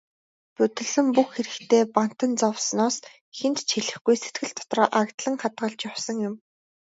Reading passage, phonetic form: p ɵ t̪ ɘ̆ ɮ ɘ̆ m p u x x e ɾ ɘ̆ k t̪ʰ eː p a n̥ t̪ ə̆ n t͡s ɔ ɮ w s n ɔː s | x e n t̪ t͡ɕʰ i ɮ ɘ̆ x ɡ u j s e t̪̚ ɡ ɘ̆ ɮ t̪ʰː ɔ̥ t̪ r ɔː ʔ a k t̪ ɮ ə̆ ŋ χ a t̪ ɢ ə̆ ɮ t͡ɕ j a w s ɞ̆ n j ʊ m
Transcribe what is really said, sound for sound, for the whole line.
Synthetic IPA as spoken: p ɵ t̪ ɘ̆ ɮ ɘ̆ m p u x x e ɾ ɘ̆ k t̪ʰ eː p a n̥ t̪ ə̆ n t͡s ɔ w s n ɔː s | x e n t̪ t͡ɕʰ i ɮ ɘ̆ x ɡ u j s e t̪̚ ɡ ɘ̆ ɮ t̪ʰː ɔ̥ t̪ r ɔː ʔ a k t̪ ɮ ə̆ ŋ χ a t̪ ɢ ə̆ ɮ t͡ɕ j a w s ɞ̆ ŋ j ʊ m